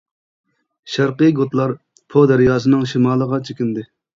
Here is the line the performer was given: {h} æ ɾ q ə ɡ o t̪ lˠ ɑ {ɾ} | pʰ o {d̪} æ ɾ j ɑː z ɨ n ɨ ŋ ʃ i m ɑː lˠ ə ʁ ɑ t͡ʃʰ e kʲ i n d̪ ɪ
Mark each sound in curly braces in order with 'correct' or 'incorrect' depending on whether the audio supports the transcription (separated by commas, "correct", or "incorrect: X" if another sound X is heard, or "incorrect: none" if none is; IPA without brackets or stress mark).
incorrect: ʃ, correct, correct